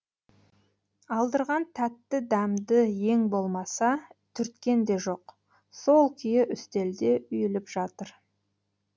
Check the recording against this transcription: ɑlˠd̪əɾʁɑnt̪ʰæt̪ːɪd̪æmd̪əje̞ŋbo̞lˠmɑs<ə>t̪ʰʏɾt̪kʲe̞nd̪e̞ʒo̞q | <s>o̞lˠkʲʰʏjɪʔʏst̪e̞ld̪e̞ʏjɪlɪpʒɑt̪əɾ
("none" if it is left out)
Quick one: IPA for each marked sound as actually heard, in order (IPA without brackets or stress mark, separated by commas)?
ɑ, s